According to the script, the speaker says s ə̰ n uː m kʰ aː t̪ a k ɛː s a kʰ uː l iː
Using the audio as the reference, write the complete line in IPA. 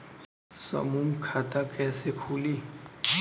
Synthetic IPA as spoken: s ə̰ m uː m kʰ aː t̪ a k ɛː s e kʰ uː l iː